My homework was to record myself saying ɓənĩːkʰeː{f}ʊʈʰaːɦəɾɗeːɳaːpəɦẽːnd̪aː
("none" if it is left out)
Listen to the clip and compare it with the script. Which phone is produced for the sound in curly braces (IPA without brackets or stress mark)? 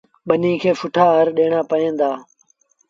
f